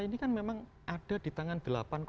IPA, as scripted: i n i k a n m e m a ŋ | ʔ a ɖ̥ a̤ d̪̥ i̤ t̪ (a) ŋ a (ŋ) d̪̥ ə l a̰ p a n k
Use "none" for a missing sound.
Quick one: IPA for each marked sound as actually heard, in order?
a, n

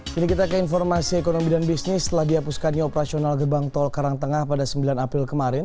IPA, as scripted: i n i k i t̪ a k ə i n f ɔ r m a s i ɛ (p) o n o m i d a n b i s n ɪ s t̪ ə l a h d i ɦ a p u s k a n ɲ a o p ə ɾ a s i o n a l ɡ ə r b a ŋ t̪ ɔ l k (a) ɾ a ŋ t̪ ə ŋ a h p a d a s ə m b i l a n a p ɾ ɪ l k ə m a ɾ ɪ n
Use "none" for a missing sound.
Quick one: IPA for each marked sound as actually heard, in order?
k, a

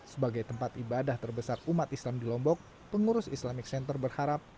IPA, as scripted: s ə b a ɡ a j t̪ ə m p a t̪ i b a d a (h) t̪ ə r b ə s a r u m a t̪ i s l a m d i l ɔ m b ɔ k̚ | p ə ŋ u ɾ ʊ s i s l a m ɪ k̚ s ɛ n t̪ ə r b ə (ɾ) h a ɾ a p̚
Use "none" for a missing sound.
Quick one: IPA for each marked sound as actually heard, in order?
h, r

